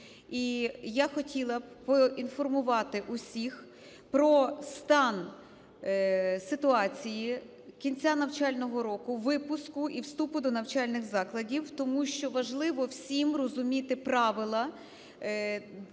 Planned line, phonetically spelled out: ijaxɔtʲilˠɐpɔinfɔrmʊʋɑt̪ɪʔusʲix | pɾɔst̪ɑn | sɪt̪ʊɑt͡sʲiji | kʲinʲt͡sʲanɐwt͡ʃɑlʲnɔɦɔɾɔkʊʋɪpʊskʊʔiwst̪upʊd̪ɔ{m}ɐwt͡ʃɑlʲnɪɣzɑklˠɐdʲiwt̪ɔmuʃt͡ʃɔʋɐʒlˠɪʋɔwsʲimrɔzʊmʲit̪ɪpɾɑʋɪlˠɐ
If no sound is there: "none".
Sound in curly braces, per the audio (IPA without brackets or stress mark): n